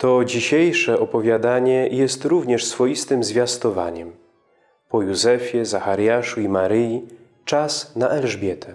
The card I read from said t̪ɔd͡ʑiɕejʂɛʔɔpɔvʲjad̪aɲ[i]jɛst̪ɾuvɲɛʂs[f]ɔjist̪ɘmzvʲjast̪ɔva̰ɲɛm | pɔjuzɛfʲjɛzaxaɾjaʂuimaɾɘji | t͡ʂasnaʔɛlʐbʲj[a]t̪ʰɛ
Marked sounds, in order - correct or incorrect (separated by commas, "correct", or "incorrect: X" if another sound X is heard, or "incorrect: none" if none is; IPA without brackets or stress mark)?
incorrect: ɛ, correct, incorrect: ɛ